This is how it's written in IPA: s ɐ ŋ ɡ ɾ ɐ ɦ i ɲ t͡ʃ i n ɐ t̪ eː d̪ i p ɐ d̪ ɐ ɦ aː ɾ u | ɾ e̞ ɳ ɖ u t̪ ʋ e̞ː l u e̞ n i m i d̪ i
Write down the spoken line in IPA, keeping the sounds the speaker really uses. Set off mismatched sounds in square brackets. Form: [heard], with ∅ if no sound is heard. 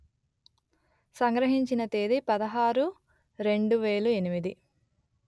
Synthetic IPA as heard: s ɐ ŋ ɡ ɾ ɐ ɦ i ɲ t͡ʃ i n ɐ t̪ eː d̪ i p ɐ d̪ ɐ ɦ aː ɾ u | ɾ e̞ ɳ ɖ u [∅] ʋ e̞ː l u e̞ n i m i d̪ i